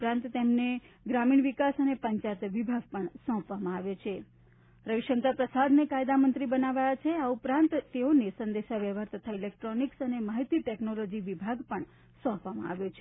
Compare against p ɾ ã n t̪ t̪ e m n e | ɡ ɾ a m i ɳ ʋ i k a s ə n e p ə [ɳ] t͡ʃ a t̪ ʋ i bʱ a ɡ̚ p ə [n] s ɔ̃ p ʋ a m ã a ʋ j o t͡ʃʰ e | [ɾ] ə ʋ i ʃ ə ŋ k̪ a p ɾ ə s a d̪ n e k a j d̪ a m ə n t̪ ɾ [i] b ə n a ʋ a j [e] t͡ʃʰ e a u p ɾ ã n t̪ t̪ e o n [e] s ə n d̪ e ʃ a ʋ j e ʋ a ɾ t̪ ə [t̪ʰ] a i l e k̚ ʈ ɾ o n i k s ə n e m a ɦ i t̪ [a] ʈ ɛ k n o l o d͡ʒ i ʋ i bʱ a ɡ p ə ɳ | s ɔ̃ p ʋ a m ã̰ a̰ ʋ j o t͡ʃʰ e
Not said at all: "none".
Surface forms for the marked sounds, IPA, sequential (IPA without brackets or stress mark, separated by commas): ɲ, ɳ, ɾ, i, a, e, t̪ʰ, i